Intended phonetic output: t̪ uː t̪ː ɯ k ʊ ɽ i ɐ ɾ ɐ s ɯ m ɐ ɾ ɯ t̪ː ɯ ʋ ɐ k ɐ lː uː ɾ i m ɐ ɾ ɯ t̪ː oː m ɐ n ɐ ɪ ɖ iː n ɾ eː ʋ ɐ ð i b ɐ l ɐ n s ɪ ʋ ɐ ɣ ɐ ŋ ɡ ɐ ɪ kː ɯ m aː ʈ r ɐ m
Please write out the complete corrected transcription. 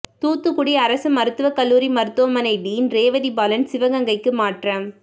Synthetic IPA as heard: t̪ uː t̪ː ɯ k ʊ ɽ i ɐ ɾ ɐ s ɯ m ɐ ɾ ɯ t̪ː ɯ ʋ ɐ k ɐ lː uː ɾ i m ɐ ɾ ɯ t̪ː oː m ɐ n ɐ ɪ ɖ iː n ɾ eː ʋ ɐ ð i b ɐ l ɐ n s ɪ ʋ ɐ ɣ ɐ ŋ ɡ ɐ ɪ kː ɯ m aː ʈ r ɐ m